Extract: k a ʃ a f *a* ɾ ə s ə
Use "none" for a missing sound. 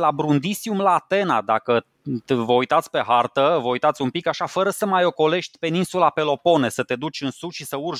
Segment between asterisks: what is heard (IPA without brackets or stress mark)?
ə